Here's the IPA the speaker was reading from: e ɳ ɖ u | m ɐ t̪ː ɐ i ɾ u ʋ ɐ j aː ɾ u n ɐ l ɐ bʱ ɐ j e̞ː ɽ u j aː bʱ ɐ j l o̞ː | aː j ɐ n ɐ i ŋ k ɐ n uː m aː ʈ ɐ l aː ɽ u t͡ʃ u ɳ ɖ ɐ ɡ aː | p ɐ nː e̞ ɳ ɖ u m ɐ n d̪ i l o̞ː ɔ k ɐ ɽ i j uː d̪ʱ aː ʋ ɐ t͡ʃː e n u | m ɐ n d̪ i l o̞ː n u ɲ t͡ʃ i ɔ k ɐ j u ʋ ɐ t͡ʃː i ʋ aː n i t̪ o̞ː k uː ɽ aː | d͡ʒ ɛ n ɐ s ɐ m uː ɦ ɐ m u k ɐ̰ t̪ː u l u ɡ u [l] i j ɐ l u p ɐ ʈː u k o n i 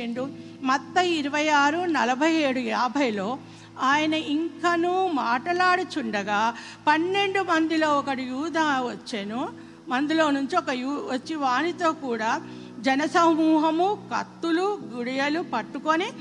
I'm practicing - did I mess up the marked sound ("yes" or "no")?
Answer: yes